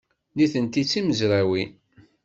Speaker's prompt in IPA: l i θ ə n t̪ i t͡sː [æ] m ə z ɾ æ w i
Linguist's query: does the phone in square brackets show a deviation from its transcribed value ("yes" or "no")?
yes